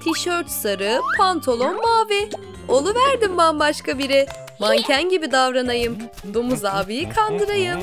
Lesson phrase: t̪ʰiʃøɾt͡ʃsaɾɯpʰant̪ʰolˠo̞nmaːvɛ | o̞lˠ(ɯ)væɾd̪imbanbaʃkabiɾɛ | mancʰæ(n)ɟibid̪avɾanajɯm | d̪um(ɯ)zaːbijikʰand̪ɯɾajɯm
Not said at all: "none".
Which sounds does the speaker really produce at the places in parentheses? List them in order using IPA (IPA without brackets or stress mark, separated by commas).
u, n, u